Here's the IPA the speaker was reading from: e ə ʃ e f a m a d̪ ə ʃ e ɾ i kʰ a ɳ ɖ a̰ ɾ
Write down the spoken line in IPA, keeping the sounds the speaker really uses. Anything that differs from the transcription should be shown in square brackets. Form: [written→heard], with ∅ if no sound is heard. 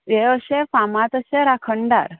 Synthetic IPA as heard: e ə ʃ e f a m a [d̪→t̪] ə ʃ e ɾ [i→a] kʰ [a→ə] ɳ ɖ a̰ ɾ